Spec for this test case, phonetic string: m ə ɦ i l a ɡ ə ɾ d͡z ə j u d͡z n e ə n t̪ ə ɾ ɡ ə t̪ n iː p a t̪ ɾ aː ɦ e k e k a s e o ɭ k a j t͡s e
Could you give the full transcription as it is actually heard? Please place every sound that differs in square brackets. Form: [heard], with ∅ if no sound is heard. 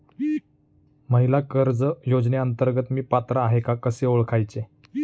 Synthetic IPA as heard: m ə ɦ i l a [k] ə ɾ d͡z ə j [o] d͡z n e ə n t̪ ə ɾ ɡ ə t̪ [m] iː p a t̪ ɾ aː ɦ e k [a] k [ə] s e o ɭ [kʰ] a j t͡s e